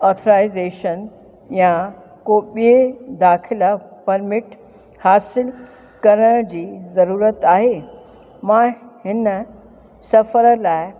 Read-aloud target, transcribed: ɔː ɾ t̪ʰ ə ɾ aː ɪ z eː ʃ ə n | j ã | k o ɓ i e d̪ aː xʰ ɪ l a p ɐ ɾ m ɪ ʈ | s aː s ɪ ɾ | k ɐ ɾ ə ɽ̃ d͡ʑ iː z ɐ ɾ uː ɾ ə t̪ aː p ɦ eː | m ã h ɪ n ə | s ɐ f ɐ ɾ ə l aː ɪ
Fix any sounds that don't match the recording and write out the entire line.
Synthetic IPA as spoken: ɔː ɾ t̪ʰ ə ɾ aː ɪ z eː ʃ ə n | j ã | k o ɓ i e d̪ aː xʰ ɪ l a p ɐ ɾ m ɪ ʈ | h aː s ɪ l | k ɐ ɾ ə ɽ̃ d͡ʑ iː z ɐ ɾ uː ɾ ə t̪ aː ɦ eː | m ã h ɪ n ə | s ɐ f ə ɾ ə l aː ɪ